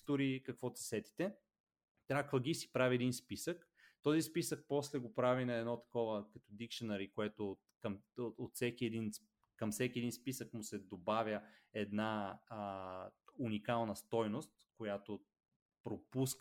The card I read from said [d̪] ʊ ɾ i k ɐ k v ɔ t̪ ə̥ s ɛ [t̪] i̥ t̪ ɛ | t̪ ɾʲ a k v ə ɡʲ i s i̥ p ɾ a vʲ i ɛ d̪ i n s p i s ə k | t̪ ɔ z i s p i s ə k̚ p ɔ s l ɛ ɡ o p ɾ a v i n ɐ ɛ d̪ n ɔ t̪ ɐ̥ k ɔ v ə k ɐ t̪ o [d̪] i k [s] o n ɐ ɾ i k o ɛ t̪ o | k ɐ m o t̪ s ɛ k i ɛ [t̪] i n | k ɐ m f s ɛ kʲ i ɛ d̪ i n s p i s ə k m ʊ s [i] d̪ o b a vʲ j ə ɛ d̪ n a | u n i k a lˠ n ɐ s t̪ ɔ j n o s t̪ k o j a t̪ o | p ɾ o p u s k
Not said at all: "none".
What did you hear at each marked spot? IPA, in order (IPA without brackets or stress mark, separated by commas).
t̪, t̪, d̪, ʃ, d̪, ɛ